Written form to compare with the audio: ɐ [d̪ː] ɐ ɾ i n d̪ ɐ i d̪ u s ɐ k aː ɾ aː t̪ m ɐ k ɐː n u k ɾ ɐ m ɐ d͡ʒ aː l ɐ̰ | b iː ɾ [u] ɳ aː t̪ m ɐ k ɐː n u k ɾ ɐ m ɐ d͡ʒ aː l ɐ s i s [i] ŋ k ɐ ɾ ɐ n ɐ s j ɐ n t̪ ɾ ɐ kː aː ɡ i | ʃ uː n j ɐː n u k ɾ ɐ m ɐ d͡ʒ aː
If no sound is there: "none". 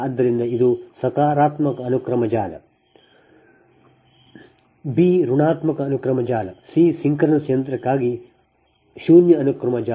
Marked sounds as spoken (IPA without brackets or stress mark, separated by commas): d̪ː, u, i